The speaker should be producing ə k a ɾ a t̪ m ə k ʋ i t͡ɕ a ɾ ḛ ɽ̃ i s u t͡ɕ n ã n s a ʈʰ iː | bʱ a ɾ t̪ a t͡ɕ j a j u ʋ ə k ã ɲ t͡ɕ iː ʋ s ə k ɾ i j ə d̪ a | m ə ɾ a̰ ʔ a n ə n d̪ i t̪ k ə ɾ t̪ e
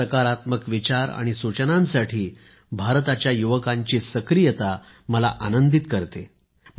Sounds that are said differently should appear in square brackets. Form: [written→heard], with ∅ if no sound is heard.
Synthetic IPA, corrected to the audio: ə k a ɾ a t̪ m ə k ʋ i t͡ɕ a ɾ [ḛ→a̰] ɽ̃ i s u t͡ɕ n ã n s a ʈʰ iː | bʱ a ɾ t̪ a t͡ɕ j a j u ʋ ə k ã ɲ t͡ɕ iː [ʋ→∅] s ə k ɾ i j ə [d̪→t̪] a | m ə [ɾ→l] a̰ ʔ a n ə n d̪ i t̪ k ə ɾ t̪ e

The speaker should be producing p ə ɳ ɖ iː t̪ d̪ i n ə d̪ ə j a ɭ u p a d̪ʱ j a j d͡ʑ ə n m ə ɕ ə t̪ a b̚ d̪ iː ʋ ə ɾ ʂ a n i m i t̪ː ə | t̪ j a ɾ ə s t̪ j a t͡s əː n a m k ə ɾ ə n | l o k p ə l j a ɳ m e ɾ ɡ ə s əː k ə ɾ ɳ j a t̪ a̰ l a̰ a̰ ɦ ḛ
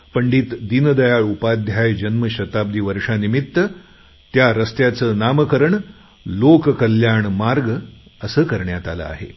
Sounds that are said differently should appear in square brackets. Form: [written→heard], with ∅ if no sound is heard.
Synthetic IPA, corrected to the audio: p ə ɳ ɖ iː t̪ d̪ i n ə d̪ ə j a ɭ u p a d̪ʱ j a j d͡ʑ ə n m ə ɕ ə t̪ a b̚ d̪ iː ʋ ə ɾ ʂ a n i m i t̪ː ə | t̪ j a ɾ ə s t̪ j a t͡s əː n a m k ə ɾ ə [n→ɳ] | l o k [p→k] ə l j a ɳ m [e→a] ɾ ɡ ə s əː k ə ɾ ɳ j a t̪ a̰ l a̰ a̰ ɦ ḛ

